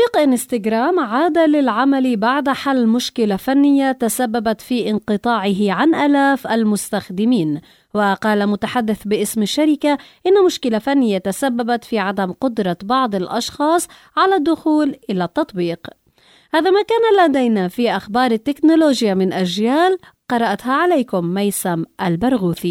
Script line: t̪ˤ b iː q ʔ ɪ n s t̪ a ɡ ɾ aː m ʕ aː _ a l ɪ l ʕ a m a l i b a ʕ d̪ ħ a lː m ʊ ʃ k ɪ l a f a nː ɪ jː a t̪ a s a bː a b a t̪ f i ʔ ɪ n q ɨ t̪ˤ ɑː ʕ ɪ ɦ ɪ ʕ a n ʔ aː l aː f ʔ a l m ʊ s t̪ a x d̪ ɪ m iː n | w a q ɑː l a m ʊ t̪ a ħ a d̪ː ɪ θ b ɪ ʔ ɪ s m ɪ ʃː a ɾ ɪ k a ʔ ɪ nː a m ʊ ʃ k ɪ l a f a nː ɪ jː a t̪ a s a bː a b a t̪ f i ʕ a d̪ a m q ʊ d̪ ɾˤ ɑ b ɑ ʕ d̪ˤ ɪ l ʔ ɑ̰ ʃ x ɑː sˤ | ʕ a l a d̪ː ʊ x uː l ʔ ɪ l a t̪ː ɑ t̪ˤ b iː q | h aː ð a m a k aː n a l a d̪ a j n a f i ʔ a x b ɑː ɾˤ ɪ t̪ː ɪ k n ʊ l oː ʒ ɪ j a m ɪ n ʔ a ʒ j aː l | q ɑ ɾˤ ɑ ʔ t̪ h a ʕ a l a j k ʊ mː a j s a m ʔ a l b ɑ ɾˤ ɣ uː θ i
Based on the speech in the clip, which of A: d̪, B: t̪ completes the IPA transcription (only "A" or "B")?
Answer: A